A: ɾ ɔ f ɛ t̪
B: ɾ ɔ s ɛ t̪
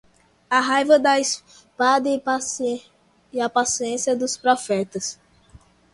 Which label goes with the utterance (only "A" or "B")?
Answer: A